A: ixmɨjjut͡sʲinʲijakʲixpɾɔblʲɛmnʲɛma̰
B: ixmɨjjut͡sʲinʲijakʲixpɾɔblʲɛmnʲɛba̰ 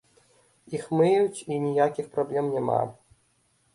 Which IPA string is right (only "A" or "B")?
A